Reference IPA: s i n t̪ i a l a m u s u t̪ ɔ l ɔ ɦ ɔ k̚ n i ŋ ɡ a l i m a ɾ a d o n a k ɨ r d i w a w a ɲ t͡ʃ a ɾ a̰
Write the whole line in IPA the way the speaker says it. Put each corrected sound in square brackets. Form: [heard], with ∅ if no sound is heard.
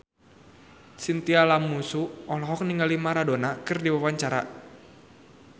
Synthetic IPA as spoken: s i n t̪ i a l a m u s u [∅] ɔ l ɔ ɦ ɔ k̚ n i ŋ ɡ a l i m a ɾ a d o n a k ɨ r d i w a w a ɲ t͡ʃ a ɾ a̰

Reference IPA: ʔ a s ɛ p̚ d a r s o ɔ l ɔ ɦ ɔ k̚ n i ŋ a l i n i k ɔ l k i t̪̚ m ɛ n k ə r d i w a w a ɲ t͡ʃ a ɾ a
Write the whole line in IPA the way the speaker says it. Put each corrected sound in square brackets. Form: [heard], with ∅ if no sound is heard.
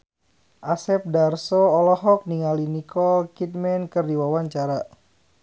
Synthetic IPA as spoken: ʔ a s ɛ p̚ d a r s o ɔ l ɔ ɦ ɔ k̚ n i ŋ a l i n i k ɔ l k i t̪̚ m ɛ n k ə r d i w a w a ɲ t͡ʃ a ɾ a

